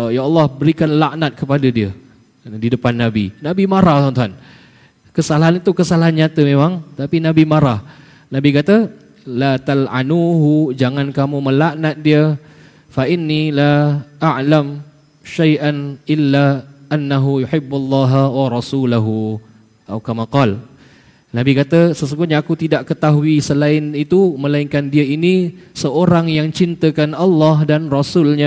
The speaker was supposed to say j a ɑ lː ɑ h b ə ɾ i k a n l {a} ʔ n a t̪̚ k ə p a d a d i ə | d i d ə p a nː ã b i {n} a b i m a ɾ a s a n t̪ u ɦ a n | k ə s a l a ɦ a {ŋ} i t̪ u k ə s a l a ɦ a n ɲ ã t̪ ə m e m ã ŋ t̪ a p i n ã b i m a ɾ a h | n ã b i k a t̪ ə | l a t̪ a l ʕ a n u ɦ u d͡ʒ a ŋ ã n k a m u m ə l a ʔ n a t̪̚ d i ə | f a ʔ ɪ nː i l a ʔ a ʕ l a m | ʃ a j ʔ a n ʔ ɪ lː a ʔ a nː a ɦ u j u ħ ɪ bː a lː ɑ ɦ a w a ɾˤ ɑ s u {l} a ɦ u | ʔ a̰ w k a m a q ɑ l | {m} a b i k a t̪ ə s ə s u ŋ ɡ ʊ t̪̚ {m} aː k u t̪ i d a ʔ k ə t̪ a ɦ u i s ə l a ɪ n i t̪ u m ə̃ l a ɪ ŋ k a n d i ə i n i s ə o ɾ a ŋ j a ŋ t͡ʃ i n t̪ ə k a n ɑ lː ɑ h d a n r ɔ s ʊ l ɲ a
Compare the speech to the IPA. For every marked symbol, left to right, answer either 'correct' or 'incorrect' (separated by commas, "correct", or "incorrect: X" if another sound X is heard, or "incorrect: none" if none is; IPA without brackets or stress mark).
correct, correct, incorrect: n, correct, incorrect: n, incorrect: ɲ